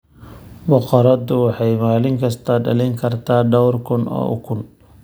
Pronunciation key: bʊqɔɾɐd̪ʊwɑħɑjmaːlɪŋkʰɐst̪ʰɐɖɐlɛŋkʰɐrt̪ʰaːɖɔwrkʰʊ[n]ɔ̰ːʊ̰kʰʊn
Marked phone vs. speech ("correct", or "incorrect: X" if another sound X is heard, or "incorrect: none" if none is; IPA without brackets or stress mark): correct